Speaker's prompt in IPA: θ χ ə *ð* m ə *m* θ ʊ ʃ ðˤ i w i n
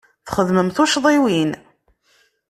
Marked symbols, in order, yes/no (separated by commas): yes, yes